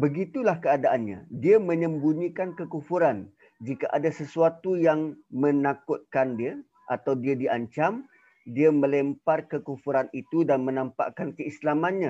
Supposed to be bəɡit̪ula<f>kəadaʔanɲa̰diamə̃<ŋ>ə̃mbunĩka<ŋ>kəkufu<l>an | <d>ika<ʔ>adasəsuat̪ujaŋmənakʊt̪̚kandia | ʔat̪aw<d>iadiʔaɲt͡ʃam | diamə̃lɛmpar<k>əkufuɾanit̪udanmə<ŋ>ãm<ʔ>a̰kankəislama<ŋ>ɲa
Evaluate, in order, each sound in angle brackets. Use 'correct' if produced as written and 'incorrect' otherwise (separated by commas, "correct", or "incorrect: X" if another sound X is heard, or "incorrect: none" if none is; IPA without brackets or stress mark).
incorrect: h, incorrect: ɲ, incorrect: n, incorrect: ɾ, incorrect: d͡ʒ, correct, correct, correct, incorrect: n, incorrect: p, incorrect: n